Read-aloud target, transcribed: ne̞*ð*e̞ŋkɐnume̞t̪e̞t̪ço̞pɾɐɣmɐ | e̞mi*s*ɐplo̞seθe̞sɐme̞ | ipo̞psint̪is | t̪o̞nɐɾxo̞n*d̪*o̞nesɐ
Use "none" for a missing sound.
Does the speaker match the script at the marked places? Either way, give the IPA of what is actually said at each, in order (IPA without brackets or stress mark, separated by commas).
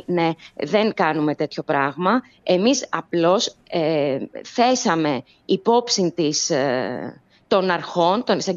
ð, s, t̪